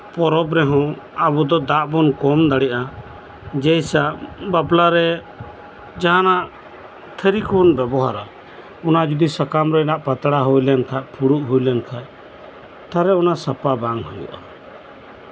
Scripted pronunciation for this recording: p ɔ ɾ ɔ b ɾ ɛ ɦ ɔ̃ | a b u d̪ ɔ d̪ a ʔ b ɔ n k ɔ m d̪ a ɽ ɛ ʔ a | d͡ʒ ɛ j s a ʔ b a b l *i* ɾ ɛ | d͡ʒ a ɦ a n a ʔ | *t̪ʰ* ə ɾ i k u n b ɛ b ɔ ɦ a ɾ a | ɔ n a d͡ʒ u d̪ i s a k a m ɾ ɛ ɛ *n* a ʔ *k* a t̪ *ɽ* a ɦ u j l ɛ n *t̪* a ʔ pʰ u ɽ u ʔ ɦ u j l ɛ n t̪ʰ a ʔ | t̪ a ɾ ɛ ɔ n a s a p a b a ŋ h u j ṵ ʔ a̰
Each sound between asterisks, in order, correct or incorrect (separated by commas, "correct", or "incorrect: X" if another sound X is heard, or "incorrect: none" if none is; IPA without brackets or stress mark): incorrect: a, correct, correct, incorrect: p, correct, incorrect: t̪ʰ